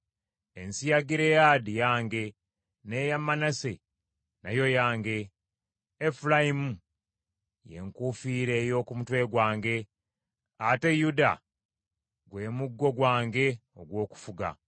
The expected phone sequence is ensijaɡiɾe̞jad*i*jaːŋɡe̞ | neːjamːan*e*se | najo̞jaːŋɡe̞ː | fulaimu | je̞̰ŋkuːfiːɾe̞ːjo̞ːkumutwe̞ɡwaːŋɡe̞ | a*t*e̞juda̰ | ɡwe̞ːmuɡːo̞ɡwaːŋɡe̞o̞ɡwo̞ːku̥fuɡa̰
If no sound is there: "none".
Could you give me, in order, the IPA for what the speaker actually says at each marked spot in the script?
i, a, t

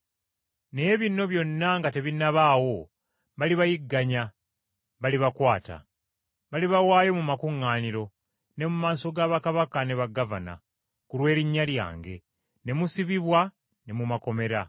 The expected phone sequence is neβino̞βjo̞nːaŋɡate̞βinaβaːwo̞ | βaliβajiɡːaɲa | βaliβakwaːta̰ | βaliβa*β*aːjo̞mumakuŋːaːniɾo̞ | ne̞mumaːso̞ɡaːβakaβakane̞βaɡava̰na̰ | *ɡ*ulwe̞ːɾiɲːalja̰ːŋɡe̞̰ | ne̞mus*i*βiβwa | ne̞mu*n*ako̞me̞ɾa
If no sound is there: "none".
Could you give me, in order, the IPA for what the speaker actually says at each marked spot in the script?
w, k, i, m

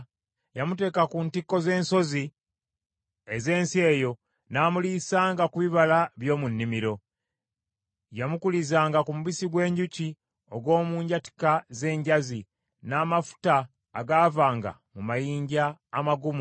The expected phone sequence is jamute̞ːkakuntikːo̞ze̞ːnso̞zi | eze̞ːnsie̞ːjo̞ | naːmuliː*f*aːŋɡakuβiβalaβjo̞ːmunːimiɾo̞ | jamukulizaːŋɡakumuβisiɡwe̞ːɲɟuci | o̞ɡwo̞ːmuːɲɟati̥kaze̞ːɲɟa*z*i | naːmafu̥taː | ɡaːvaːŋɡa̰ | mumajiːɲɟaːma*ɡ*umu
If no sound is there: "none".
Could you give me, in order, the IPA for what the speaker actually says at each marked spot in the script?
s, z, ɡ

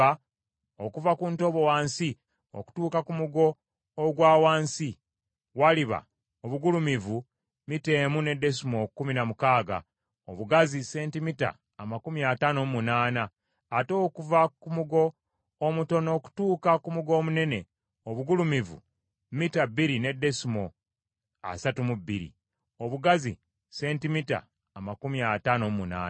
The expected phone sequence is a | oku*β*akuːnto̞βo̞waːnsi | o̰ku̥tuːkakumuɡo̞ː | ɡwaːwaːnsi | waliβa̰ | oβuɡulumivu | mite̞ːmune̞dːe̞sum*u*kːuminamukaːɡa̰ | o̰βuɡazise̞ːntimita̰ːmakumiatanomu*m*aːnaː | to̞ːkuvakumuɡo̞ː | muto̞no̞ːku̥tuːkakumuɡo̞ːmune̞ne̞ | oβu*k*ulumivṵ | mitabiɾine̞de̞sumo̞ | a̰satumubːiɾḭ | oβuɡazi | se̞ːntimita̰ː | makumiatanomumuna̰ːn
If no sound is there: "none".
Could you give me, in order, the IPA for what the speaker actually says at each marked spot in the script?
v, o, n, ɡ

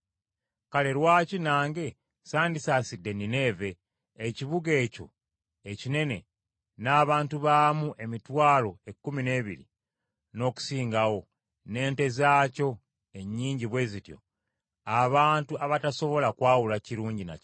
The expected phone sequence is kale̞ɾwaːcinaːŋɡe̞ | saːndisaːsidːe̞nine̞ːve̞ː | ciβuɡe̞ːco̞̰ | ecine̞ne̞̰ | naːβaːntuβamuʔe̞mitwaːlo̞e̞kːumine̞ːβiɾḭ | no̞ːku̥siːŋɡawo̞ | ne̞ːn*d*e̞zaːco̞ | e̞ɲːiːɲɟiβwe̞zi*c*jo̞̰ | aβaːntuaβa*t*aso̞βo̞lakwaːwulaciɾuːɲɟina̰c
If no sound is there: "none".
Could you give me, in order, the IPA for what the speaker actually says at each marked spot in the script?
t, t, t

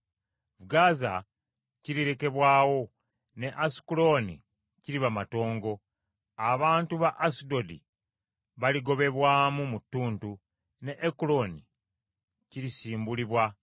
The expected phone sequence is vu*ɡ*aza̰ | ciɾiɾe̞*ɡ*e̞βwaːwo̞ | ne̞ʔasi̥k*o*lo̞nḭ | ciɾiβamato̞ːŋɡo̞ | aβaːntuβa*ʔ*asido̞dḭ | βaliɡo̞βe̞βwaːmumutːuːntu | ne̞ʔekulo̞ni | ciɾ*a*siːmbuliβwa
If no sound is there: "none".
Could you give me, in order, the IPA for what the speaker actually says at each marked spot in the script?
ɡ, k, u, ʔ, i

